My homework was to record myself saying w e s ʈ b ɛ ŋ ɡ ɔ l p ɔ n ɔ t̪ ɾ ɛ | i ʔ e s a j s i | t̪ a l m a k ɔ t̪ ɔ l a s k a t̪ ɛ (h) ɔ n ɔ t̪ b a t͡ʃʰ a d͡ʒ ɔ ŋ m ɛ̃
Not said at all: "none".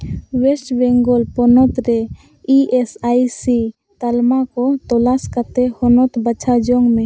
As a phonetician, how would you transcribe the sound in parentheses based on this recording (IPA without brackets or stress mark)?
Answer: h